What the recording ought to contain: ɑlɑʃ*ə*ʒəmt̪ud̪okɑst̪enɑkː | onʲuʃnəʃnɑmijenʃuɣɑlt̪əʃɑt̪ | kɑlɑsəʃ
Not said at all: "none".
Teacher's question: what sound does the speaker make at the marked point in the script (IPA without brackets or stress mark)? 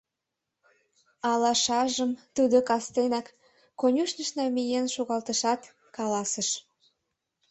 ɑ